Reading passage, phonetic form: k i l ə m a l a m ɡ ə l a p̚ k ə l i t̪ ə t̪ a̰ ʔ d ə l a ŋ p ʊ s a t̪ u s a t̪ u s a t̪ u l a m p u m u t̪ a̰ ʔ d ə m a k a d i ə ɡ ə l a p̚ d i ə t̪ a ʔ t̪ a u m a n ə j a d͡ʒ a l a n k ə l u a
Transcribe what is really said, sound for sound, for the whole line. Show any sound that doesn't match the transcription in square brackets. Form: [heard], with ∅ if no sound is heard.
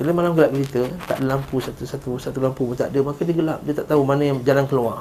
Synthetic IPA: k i l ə m a l a m ɡ ə l a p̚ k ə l i t̪ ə t̪ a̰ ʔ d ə l a [m] p [u] s a t̪ u s a t̪ u s a t̪ u l a m p u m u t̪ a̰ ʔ d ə m a k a d i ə ɡ ə l a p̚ d i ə t̪ a ʔ t̪ a u m a n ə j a d͡ʒ a l a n k ə l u a